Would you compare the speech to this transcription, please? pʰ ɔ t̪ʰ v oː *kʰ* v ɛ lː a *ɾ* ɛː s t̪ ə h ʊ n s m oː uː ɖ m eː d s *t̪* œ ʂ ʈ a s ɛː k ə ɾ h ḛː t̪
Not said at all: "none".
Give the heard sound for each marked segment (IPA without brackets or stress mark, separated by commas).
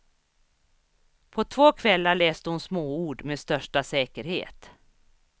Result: kʰ, ɭ, t̪